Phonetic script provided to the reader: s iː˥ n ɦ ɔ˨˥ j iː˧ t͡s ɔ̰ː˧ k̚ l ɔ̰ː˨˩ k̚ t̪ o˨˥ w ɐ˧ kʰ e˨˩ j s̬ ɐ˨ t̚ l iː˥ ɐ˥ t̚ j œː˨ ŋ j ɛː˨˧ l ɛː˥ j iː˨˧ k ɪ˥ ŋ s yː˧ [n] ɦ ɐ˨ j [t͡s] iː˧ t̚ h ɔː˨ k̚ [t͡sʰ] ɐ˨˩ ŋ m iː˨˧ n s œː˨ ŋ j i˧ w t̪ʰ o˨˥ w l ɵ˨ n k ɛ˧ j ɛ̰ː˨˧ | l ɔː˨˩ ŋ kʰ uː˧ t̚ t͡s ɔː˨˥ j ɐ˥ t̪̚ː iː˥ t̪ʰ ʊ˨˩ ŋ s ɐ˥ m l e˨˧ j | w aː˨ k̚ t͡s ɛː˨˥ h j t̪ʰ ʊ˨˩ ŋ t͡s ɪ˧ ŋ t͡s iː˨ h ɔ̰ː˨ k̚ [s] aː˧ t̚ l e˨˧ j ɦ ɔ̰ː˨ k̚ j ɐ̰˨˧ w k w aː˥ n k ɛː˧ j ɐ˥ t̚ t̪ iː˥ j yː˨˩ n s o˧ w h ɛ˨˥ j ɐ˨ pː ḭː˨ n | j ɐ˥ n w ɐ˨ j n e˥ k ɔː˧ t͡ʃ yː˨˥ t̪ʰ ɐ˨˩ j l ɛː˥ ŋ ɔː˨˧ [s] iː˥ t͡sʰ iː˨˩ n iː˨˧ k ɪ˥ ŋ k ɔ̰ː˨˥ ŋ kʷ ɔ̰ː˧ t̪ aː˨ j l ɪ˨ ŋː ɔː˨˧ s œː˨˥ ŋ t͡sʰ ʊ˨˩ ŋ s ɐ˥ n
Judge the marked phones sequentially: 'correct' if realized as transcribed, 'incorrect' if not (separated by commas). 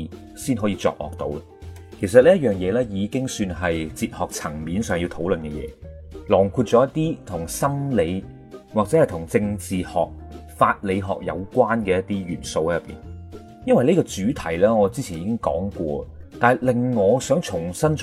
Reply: correct, correct, correct, incorrect, incorrect